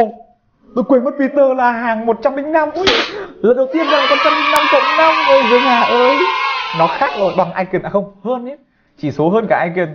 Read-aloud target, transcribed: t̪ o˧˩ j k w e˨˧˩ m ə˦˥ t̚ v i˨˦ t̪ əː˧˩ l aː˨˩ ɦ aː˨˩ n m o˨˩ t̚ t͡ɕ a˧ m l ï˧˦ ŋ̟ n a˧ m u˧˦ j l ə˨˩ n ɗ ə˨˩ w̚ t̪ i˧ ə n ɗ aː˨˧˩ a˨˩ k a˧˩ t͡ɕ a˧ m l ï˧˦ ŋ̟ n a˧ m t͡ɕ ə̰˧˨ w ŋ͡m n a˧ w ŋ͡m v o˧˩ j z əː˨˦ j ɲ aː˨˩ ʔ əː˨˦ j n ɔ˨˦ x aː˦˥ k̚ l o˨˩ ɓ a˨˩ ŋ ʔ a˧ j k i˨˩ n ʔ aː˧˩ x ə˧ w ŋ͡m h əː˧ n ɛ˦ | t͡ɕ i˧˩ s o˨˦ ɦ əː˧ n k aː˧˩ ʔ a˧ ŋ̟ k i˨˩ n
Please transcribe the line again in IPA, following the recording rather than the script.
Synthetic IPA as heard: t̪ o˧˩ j k w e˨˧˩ m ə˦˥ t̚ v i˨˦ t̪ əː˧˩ l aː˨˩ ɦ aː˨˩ ŋ m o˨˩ t̚ t͡ɕ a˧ m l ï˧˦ ŋ̟ n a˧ m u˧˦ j l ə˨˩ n ɗ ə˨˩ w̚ t̪ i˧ ə n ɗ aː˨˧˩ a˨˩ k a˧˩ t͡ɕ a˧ m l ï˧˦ ŋ̟ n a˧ m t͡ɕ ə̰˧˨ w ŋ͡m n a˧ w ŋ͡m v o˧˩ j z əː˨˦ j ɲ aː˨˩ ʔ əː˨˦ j n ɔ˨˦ x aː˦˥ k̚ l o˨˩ ɓ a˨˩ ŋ ʔ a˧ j k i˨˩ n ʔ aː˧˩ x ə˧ w ŋ͡m h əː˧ n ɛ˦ | t͡ɕ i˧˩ s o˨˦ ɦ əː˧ n k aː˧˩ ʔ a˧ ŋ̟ k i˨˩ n